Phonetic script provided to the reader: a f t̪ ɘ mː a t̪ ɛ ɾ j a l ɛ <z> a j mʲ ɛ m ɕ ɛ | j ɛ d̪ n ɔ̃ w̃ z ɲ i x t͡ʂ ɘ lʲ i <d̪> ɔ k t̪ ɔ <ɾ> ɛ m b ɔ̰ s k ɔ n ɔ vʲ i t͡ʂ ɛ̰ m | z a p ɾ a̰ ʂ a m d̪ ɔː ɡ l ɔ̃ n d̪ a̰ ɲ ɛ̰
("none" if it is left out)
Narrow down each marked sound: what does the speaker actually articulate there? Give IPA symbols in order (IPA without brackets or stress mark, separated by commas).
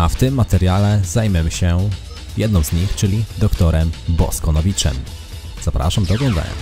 z, d̪, ɾ